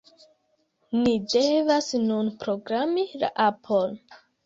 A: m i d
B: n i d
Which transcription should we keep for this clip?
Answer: B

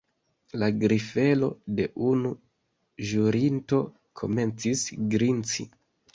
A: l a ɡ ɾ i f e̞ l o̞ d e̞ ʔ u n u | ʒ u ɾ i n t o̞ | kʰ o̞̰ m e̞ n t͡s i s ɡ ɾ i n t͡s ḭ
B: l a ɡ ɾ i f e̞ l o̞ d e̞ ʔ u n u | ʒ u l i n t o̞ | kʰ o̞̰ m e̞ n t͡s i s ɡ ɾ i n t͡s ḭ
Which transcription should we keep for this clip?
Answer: A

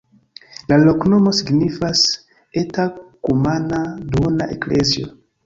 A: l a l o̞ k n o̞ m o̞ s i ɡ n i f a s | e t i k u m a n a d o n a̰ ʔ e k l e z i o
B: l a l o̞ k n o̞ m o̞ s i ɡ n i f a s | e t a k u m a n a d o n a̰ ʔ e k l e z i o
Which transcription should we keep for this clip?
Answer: B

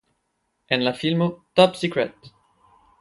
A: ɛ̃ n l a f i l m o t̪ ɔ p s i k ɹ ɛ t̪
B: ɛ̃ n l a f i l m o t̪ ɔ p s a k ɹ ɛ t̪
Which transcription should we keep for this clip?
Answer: A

